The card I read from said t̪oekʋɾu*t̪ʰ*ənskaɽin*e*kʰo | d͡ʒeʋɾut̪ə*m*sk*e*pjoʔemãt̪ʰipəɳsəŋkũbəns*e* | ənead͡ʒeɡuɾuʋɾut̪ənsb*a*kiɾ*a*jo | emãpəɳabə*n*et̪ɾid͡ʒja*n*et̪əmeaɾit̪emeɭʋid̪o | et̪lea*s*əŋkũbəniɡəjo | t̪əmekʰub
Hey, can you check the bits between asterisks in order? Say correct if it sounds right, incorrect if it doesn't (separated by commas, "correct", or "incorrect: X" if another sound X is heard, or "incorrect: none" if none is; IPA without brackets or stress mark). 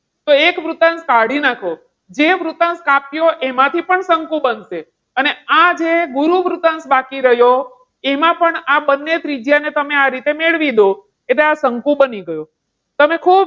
incorrect: t̪, incorrect: a, incorrect: n, incorrect: a, correct, correct, incorrect: ə, incorrect: nː, correct, correct